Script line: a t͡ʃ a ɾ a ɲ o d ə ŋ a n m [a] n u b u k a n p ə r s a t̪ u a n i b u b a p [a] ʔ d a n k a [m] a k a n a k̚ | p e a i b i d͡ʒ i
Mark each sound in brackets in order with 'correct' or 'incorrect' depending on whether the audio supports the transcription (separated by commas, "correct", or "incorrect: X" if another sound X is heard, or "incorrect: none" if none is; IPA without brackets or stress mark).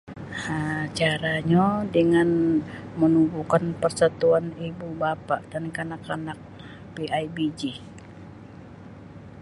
incorrect: ə, correct, incorrect: n